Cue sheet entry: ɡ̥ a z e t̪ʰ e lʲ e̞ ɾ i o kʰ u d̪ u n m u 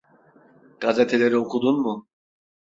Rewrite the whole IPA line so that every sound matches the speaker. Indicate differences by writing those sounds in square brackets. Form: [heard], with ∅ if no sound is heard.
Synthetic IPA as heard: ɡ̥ a z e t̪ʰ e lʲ e̞ ɾ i o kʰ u d̪ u n m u